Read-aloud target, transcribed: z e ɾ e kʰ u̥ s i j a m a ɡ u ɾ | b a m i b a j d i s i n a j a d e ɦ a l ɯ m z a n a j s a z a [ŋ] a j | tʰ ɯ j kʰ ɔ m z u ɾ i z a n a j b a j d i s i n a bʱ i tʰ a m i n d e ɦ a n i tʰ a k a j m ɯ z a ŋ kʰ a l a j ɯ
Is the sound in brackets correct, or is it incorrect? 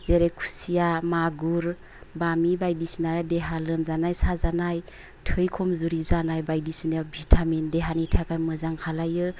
incorrect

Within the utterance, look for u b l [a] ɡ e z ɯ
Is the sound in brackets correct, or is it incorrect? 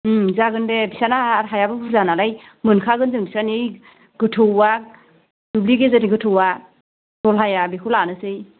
incorrect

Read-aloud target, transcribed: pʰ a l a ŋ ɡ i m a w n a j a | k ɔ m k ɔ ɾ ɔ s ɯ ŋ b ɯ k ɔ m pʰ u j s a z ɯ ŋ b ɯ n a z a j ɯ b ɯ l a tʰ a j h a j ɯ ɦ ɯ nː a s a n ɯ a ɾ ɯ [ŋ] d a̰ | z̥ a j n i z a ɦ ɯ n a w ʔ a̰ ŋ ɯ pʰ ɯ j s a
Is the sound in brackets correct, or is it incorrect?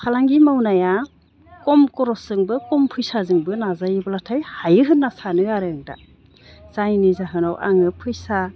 correct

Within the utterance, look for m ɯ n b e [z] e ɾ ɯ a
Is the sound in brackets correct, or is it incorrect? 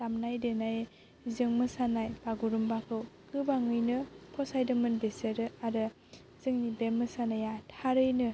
incorrect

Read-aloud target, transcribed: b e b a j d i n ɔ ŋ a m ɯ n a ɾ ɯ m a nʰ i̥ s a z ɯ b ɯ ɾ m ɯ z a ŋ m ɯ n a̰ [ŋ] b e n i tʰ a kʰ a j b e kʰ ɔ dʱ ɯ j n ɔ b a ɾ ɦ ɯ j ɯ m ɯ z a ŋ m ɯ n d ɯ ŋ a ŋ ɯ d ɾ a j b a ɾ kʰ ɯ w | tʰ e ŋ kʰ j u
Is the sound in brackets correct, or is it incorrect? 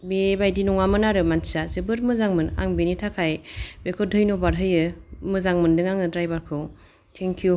correct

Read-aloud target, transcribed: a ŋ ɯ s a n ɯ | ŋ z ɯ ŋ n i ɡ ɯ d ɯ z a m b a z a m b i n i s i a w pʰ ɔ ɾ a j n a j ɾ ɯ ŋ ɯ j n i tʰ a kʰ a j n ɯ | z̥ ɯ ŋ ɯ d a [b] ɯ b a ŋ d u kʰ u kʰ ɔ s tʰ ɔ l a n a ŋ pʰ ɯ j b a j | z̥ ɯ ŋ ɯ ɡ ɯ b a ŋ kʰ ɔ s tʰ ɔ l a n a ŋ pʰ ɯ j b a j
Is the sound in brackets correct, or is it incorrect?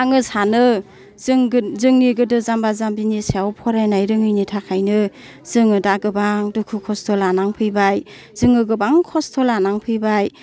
incorrect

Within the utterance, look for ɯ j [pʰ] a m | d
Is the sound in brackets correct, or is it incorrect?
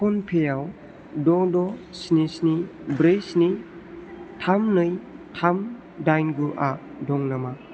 incorrect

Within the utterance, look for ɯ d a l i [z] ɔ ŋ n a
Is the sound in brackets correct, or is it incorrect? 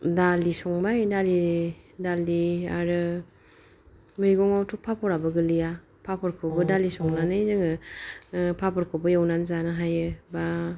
incorrect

